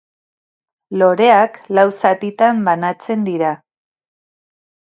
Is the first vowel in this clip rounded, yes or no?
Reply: yes